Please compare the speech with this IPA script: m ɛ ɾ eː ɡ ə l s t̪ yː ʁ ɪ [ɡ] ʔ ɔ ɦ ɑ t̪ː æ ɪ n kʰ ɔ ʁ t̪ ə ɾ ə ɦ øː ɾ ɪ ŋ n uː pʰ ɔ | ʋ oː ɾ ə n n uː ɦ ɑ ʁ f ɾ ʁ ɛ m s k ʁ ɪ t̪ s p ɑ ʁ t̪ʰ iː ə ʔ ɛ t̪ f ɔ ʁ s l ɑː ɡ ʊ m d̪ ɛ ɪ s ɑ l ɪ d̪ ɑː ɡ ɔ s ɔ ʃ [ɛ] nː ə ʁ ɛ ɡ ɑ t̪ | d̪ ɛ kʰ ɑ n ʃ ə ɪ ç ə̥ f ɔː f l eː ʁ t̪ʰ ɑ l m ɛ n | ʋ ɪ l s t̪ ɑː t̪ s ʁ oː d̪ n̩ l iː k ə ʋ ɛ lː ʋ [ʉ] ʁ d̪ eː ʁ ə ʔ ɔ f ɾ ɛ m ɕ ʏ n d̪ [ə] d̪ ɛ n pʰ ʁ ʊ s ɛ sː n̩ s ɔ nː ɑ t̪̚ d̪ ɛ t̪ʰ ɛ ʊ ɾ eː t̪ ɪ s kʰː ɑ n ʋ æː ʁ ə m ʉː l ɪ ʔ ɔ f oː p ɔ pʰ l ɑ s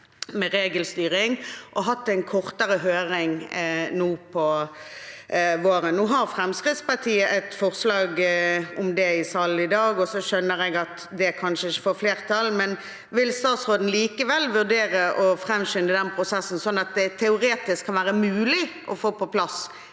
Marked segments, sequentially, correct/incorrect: incorrect: ŋ, incorrect: œ, correct, correct

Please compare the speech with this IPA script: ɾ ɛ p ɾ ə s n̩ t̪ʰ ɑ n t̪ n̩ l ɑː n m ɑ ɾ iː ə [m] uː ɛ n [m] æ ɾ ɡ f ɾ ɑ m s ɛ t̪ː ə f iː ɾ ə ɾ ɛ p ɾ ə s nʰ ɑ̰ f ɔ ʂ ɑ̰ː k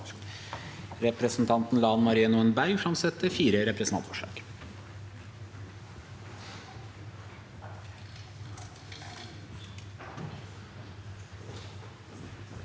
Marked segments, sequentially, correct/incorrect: incorrect: n, incorrect: b

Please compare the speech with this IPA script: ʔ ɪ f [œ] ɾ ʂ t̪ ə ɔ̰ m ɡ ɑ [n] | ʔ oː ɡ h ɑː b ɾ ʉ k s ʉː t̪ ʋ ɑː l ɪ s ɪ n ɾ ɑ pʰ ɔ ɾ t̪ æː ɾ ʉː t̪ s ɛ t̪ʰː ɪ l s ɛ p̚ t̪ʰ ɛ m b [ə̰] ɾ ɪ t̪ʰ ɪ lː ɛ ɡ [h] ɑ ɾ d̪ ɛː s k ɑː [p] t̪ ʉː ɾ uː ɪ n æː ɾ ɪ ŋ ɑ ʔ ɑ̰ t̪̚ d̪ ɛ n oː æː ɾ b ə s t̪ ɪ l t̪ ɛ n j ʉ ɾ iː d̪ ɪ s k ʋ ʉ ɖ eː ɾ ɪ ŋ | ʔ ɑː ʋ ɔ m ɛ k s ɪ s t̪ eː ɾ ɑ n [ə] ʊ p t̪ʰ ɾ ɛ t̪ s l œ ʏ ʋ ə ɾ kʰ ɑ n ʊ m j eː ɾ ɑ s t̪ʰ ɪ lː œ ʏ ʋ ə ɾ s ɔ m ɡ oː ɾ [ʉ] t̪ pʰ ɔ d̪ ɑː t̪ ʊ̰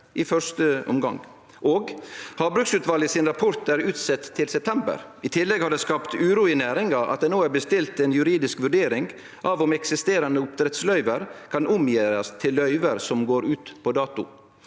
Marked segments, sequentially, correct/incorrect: correct, incorrect: ŋ, correct, correct, correct, correct, incorrect: ʉː

